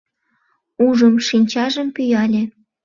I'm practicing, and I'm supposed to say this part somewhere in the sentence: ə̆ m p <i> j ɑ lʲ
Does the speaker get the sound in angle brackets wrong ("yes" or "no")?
yes